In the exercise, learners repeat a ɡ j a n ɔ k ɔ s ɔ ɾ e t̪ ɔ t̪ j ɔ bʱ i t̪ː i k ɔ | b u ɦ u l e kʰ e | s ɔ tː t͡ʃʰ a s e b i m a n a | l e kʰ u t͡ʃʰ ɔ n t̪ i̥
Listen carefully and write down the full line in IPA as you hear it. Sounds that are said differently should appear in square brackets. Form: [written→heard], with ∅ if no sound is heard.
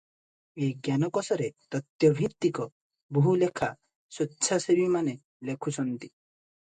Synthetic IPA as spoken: [a→e] ɡ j a n ɔ k ɔ s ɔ ɾ e t̪ ɔ t̪ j ɔ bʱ i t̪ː i k ɔ | b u ɦ u l e kʰ [e→a] | s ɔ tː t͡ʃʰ a s e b i m a n [a→e] | l e kʰ u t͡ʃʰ ɔ n t̪ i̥

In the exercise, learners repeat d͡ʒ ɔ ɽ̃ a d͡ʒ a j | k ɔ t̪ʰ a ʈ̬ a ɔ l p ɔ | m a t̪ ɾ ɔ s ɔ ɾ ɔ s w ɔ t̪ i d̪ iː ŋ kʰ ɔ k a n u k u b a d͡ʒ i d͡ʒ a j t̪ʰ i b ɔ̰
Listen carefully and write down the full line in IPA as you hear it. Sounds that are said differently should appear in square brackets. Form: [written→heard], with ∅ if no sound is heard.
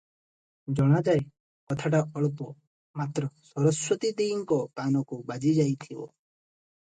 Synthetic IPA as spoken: d͡ʒ ɔ ɽ̃ a d͡ʒ a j | k ɔ t̪ʰ a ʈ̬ a ɔ [l→ɭ] p ɔ | m a t̪ ɾ ɔ s ɔ ɾ ɔ s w ɔ t̪ i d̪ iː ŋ [kʰ→k] ɔ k a n [u→ɔ] k u b a d͡ʒ i d͡ʒ a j t̪ʰ i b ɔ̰

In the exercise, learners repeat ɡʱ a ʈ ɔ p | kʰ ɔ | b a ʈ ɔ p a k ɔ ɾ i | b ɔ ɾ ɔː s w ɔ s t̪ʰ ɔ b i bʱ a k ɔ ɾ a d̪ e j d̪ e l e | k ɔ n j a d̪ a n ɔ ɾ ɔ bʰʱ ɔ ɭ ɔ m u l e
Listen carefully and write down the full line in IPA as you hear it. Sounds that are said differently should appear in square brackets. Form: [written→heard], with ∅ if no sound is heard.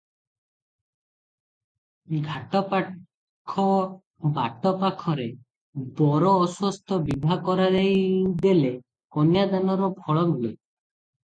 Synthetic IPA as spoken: ɡʱ a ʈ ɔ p | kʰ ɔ | b a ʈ ɔ p a [k→kʰ] ɔ ɾ [i→e] | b ɔ ɾ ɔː s w ɔ s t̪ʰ ɔ b i bʱ a k ɔ ɾ a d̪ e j d̪ e l e | k ɔ n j a d̪ a n ɔ ɾ ɔ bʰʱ ɔ ɭ ɔ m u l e

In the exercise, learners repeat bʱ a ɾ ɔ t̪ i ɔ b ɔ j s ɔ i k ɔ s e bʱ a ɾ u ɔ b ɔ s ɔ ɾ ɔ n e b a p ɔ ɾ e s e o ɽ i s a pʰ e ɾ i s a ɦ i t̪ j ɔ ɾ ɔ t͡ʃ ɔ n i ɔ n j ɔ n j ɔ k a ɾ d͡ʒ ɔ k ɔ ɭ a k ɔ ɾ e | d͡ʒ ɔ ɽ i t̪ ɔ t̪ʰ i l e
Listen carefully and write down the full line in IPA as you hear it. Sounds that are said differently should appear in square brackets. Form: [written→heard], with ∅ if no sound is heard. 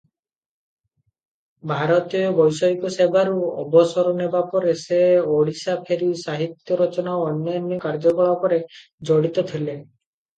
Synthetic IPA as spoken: bʱ a ɾ ɔ t̪ i ɔ b ɔ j s ɔ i k ɔ s e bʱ a ɾ u ɔ b ɔ s ɔ ɾ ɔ n e b a p ɔ ɾ e s e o ɽ i s a pʰ e ɾ i s a ɦ i t̪ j ɔ ɾ ɔ t͡ʃ ɔ n [i→a] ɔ n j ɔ n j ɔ k a ɾ d͡ʒ ɔ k ɔ ɭ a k ɔ ɾ e | d͡ʒ ɔ ɽ i t̪ ɔ t̪ʰ i l e

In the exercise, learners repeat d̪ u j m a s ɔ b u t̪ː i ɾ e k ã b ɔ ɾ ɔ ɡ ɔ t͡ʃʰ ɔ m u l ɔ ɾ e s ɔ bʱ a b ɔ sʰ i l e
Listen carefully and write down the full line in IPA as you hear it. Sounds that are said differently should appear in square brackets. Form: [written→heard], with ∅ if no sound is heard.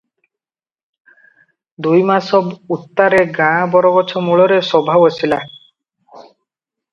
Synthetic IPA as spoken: d̪ u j m a s ɔ b u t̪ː [i→a] ɾ e [k→ɡ] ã b ɔ ɾ ɔ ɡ ɔ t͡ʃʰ ɔ m u [l→ɭ] ɔ ɾ e s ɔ bʱ a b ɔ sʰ i l [e→a]

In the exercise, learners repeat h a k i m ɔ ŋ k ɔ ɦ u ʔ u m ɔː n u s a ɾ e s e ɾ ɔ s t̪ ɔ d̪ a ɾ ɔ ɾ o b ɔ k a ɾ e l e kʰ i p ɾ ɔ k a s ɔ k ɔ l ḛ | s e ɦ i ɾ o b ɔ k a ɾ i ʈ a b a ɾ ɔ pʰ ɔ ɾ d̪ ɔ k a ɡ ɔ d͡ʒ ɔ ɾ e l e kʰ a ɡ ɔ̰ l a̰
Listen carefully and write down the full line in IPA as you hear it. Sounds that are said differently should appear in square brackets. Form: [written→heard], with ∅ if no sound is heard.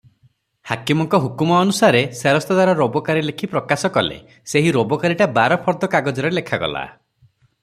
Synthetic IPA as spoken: h a k i m ɔ ŋ k ɔ ɦ u [ʔ→k] u m ɔː n u s a ɾ e s e ɾ ɔ s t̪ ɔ d̪ a ɾ ɔ ɾ o b ɔ k a ɾ [e→i] l e kʰ i p ɾ ɔ k a s ɔ k ɔ l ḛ | s e ɦ i ɾ o b ɔ k a ɾ i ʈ a b a ɾ ɔ pʰ ɔ ɾ d̪ ɔ k a ɡ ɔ d͡ʒ ɔ ɾ e l e kʰ a ɡ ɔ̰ l a̰

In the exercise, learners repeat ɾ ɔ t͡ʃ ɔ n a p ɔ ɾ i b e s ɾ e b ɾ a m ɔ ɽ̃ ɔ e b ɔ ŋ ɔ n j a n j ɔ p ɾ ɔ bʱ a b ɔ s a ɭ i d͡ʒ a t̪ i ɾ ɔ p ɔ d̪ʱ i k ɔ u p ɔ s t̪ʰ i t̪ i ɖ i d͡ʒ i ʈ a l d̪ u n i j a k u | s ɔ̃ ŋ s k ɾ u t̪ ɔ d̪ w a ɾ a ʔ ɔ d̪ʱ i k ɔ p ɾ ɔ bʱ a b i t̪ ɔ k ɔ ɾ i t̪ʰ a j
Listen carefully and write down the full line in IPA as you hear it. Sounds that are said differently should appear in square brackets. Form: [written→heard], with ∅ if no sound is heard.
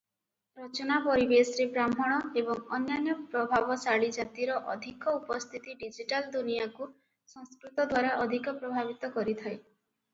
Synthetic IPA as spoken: ɾ ɔ t͡ʃ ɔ n a p ɔ ɾ i b e s ɾ e b ɾ a m ɔ ɽ̃ ɔ e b ɔ ŋ ɔ n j a n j ɔ p ɾ ɔ bʱ a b ɔ s a ɭ i d͡ʒ a t̪ i ɾ ɔ [p→ʔ] ɔ d̪ʱ i k ɔ u p ɔ s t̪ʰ i t̪ i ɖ i d͡ʒ i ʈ a l d̪ u n i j a k u | s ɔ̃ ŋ s k ɾ u t̪ ɔ d̪ w a ɾ a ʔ ɔ d̪ʱ i k ɔ p ɾ ɔ bʱ a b i t̪ ɔ k ɔ ɾ i t̪ʰ a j

